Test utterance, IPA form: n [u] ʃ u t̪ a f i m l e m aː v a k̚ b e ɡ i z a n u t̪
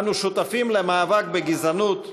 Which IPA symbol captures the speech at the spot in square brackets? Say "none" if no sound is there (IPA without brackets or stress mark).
u